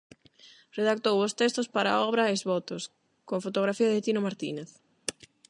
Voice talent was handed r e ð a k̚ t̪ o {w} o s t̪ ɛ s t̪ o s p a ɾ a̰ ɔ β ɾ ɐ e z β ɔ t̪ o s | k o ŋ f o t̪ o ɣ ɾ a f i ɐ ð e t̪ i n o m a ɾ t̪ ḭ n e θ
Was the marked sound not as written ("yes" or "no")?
no